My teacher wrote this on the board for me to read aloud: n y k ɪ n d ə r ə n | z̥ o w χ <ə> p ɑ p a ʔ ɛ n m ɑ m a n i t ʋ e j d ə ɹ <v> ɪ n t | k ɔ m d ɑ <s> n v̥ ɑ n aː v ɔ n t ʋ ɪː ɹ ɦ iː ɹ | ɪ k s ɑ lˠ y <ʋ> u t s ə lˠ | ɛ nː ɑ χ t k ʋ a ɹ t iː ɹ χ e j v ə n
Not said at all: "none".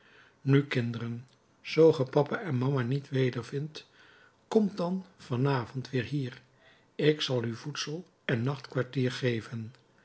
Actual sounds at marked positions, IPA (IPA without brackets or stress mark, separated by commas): ə, v, none, v